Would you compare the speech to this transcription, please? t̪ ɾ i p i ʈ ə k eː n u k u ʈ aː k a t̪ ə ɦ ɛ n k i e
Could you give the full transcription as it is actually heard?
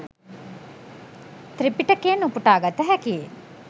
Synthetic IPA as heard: t̪ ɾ i p i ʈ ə k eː n u p u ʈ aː ɡ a t̪ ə ɦ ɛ k i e